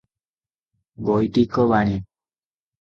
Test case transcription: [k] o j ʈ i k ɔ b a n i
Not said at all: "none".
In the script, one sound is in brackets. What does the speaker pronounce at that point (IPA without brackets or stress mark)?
ɡ